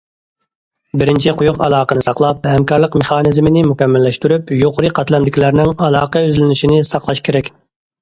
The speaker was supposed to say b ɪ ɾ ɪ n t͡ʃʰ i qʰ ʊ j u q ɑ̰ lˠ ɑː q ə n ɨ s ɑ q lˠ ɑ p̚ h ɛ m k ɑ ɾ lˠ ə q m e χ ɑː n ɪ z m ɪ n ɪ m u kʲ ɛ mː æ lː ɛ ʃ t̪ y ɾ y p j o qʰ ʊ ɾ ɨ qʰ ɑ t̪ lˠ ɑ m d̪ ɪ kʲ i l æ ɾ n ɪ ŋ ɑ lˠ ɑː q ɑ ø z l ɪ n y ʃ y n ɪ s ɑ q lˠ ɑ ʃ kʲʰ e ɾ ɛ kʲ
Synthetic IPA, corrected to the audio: b ɪ ɾ ɪ n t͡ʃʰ i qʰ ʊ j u q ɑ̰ lˠ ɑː q ə n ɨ s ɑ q lˠ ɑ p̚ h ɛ m k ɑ ɾ lˠ ə q m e χ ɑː n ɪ z m ɪ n ɪ m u kʲ ɛ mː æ lː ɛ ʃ t̪ y ɾ y p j o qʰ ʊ ɾ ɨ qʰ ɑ t̪ lˠ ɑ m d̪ ɪ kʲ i l æ ɾ n ɪ ŋ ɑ lˠ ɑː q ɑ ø z l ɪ n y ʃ i n ɪ s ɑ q lˠ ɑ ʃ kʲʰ e ɾ ɛ kʲ